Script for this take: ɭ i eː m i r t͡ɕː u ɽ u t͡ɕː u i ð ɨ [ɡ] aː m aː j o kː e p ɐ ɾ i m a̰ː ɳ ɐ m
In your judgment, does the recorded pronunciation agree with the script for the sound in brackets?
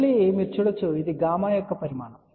yes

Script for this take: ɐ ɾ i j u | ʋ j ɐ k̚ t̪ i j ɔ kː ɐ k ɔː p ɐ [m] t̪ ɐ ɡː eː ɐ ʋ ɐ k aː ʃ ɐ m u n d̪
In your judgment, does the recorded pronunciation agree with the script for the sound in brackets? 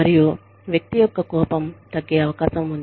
yes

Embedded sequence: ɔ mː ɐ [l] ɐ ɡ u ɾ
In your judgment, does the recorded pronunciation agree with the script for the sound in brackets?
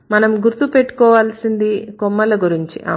yes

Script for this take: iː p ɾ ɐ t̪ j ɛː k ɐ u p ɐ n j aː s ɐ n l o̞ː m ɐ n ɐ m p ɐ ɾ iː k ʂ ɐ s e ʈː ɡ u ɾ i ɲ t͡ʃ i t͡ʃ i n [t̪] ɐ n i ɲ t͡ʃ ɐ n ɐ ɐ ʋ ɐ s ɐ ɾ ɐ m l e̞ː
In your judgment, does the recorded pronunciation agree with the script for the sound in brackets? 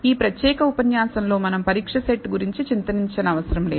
yes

